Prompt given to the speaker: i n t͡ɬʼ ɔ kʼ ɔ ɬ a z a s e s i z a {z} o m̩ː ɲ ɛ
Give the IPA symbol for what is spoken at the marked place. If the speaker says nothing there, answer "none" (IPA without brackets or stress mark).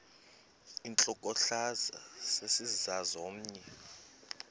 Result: z